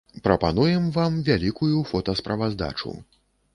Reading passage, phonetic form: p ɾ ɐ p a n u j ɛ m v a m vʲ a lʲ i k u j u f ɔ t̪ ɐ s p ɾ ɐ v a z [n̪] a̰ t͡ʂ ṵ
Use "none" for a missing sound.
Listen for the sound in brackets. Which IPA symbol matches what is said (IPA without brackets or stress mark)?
d̪